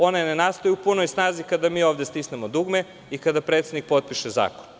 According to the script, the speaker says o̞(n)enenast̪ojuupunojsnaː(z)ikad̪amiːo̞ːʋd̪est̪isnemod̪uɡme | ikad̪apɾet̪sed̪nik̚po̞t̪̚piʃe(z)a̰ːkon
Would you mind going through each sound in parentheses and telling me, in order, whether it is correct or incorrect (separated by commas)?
correct, correct, correct